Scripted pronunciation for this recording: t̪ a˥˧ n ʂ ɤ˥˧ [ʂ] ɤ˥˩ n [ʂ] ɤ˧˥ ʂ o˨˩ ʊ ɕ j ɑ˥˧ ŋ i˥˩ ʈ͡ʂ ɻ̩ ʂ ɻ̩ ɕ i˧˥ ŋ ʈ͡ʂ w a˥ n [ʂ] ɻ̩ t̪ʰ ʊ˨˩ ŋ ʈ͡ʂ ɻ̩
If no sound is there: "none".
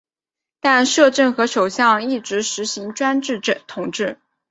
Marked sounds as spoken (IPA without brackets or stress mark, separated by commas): ʈ͡ʂ, x, ʈ͡ʂ